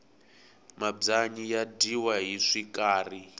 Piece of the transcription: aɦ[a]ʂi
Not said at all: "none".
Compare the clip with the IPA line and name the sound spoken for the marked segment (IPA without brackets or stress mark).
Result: i